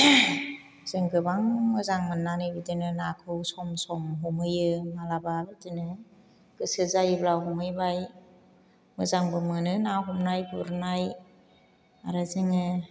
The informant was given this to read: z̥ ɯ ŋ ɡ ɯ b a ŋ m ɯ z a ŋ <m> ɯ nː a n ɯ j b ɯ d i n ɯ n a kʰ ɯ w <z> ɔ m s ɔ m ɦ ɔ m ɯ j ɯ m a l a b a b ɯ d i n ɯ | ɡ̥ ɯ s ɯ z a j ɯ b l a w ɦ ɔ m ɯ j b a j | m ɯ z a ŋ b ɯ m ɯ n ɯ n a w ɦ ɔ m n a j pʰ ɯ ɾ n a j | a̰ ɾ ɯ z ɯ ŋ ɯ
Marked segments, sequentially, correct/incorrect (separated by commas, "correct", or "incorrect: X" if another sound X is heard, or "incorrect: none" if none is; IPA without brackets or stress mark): correct, incorrect: s